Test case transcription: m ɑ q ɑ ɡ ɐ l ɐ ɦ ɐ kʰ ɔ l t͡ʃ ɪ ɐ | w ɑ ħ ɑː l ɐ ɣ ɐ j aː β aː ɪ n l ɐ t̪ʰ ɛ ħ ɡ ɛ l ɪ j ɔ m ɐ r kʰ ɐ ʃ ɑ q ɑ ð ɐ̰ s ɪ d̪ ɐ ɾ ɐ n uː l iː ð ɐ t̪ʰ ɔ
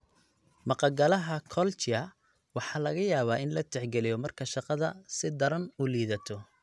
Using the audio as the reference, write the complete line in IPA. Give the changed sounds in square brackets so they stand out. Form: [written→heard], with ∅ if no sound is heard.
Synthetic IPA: m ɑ q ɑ ɡ ɐ l ɐ ɦ ɐ kʰ ɔ l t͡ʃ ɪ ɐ | w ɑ ħ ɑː l ɐ ɣ ɐ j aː β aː ɪ n l ɐ t̪ʰ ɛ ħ ɡ ɛ l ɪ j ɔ m ɐ r kʰ ɐ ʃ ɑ q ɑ ð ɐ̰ s ɪ d̪ ɐ ɾ ɐ n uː l iː ð ɐ t̪ʰ ɔ